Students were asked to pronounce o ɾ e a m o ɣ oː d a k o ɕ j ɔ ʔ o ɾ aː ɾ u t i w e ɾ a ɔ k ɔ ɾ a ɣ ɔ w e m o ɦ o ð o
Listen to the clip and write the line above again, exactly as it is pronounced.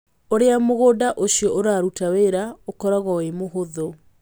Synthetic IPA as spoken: o ɾ e a m o ɣ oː d a ʔ o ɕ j ɔ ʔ o ɾ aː ɾ u t a w e ɾ a o k ɔ ɾ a ɣ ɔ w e m o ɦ o ð o